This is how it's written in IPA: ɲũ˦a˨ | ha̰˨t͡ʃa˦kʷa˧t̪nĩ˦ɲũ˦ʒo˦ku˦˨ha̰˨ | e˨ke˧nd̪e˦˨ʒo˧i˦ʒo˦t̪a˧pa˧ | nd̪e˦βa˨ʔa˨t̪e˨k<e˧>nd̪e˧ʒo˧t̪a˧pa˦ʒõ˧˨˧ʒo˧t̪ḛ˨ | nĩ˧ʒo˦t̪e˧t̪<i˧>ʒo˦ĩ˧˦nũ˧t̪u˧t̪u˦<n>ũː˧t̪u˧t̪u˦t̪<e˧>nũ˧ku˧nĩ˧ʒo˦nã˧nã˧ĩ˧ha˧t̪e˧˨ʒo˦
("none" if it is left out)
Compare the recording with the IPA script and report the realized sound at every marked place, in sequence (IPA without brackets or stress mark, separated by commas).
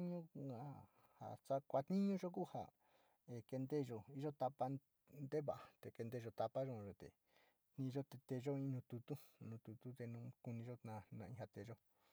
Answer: e˧, e˧, n, e˧